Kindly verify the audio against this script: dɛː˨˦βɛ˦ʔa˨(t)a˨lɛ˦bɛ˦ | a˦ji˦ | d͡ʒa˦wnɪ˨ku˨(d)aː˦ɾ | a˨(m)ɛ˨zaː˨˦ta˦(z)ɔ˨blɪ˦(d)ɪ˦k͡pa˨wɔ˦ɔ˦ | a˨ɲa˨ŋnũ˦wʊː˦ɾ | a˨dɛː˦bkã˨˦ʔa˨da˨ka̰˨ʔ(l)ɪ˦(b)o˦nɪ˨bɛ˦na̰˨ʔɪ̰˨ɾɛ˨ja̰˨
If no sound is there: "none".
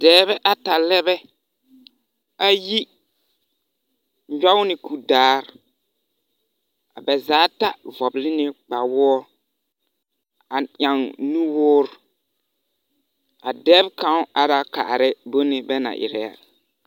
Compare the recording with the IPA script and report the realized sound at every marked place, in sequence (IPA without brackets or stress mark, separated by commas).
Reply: t, d, b, v, n, ɾ, b